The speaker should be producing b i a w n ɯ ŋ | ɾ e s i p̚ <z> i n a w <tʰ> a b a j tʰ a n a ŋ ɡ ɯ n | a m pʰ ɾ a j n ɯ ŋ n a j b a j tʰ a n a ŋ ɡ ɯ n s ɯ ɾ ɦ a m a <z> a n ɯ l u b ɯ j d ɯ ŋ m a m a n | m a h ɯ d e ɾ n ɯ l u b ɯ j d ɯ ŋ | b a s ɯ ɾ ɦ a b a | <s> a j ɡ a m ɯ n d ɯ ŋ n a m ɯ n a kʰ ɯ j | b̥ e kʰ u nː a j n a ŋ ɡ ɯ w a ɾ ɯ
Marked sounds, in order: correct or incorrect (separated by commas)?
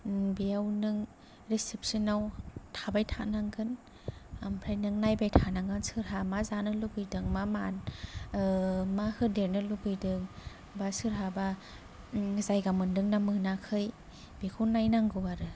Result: incorrect, correct, correct, incorrect